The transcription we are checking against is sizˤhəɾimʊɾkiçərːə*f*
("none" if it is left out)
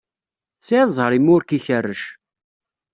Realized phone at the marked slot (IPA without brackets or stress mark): ʃ